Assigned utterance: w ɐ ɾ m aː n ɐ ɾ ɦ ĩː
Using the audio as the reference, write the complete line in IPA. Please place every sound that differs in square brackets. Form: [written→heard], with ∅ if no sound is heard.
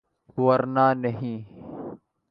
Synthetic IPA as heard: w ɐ ɾ [m→n] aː n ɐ [ɾ→∅] ɦ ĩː